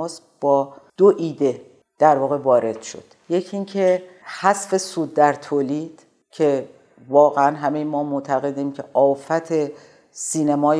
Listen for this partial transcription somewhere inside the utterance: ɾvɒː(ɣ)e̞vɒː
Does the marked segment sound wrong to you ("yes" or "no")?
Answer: no